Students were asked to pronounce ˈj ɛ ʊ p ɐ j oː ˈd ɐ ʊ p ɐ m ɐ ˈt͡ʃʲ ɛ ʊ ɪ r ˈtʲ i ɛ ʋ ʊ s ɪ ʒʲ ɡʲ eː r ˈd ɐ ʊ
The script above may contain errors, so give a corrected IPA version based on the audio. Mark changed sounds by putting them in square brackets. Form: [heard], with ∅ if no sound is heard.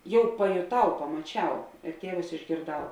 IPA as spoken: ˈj ɛ ʊ p ɐ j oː [ˈt] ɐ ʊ p ɐ m ɐ ˈt͡ʃʲ ɛ ʊ ɪ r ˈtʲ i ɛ ʋ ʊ s ɪ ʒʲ ɡʲ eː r ˈd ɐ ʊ